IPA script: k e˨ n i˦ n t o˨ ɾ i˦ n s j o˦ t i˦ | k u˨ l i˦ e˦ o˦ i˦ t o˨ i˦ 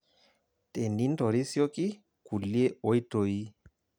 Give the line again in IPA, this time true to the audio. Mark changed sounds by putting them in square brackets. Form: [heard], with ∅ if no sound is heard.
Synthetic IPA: [t] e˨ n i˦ n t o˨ ɾ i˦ [∅] s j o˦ [k] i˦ | k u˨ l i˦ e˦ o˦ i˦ t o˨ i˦